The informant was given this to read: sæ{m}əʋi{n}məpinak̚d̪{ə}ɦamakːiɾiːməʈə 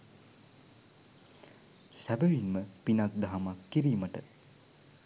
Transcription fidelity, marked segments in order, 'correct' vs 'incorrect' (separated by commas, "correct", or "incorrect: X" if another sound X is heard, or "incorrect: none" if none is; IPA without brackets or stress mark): incorrect: b, correct, incorrect: a